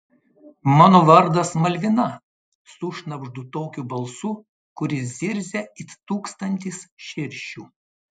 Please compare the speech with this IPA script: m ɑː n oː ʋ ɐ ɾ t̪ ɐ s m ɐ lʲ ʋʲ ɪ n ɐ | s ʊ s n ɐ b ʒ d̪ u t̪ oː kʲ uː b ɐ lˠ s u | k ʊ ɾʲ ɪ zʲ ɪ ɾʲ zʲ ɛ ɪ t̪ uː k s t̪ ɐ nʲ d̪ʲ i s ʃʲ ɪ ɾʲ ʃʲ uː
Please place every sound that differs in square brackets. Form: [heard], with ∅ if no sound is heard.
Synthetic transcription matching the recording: m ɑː n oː ʋ ɐ ɾ [d̪] ɐ s m ɐ lʲ ʋʲ ɪ n ɐ | s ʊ [ʃ] n ɐ b ʒ d̪ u t̪ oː kʲ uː b ɐ lˠ s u | k ʊ ɾʲ ɪ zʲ ɪ ɾʲ zʲ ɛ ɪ t̪ uː k s t̪ ɐ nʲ [t̪ʲ] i s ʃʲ ɪ ɾʲ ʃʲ uː